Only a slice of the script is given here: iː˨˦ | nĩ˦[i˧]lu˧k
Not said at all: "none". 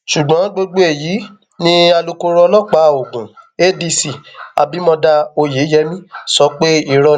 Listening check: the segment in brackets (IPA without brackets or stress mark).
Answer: a˧